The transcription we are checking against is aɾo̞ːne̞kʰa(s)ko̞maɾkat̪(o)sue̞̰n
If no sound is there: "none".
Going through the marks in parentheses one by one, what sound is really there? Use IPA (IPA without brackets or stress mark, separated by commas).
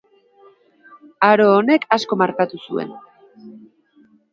s, u